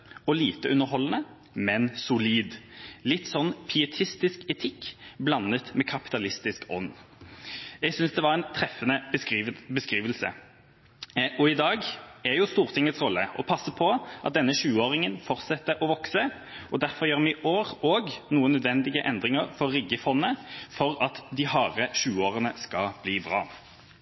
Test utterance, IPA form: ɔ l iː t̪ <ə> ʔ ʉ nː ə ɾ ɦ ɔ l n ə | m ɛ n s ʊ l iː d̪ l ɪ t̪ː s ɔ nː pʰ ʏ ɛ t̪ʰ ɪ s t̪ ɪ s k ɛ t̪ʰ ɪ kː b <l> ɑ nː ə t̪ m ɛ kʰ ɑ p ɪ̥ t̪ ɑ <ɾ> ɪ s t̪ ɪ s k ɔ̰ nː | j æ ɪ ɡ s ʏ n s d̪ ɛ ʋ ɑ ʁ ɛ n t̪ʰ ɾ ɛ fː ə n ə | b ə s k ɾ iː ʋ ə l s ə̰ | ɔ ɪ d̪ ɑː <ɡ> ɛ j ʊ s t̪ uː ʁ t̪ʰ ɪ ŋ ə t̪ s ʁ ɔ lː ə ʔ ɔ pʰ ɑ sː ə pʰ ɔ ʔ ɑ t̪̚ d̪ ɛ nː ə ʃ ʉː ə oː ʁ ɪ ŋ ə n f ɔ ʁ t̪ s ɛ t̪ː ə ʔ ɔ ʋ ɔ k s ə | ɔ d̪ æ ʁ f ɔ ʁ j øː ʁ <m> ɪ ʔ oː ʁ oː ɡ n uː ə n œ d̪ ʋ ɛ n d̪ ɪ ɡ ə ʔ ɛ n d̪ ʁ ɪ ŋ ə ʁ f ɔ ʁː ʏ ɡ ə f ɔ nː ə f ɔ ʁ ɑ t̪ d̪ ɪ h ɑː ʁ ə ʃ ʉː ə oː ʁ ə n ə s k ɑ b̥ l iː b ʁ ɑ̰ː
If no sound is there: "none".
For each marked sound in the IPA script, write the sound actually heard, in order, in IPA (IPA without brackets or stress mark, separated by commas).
ə, l, l, ɡ, m